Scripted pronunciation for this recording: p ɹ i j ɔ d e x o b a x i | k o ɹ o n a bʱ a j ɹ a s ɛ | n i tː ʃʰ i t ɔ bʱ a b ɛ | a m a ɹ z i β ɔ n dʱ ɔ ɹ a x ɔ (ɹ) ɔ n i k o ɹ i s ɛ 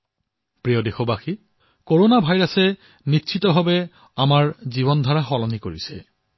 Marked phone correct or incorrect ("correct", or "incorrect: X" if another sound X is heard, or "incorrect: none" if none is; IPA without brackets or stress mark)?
incorrect: l